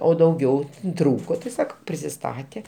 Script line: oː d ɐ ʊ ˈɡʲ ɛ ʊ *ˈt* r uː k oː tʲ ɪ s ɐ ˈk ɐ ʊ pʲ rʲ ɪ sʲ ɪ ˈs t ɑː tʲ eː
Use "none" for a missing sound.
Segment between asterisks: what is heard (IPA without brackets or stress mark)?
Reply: t